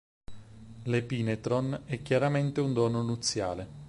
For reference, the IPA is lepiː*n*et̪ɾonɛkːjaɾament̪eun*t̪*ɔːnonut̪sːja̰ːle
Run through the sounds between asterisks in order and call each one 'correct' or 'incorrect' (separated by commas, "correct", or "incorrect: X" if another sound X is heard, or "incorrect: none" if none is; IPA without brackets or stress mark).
correct, incorrect: d̪